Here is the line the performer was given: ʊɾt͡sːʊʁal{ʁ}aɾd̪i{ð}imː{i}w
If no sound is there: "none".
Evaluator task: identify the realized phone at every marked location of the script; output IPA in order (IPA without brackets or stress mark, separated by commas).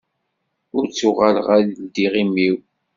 ʁ, ʁ, i